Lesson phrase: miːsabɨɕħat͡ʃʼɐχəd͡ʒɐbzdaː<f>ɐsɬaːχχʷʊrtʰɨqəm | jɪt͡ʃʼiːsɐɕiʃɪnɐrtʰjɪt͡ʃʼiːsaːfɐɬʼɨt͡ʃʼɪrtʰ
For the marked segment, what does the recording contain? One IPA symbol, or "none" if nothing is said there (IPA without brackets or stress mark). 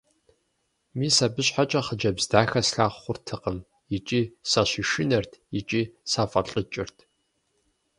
x